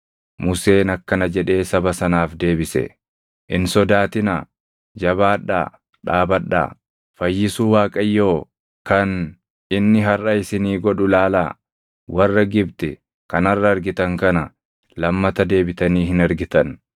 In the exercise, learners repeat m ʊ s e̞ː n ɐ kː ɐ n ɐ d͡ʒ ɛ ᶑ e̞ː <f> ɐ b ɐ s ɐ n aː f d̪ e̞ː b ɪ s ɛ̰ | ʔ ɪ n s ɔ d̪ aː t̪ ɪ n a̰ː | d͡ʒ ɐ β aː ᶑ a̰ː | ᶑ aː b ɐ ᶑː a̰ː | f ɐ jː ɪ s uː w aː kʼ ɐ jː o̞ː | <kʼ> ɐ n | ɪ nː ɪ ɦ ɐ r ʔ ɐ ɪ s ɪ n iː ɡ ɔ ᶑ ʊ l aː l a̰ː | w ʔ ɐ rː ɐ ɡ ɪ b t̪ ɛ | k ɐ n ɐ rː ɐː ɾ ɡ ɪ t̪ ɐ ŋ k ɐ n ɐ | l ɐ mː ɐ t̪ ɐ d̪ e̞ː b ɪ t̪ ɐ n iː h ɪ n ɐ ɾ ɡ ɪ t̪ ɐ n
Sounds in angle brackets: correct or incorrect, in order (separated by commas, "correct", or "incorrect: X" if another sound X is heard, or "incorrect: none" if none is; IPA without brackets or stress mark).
incorrect: s, incorrect: k